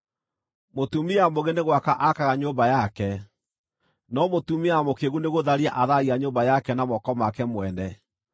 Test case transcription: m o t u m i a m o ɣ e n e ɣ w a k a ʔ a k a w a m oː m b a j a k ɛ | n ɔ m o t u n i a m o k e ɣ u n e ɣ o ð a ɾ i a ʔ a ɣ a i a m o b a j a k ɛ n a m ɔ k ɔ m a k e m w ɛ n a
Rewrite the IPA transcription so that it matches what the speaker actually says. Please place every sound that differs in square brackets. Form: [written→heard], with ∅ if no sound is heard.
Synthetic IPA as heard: m o t u m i a m o ɣ e n e ɣ w a k a ʔ a k a [w→ɣ] a [m→ɲ] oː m b a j a k ɛ | n ɔ m o t u [n→m] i a m o k e ɣ u n e ɣ o ð a ɾ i a ʔ a [ɣ→ð] a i a [m→ɲ] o b a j a k ɛ n a m ɔ k ɔ m a k [e→ɛ] m w ɛ n [a→ɛ]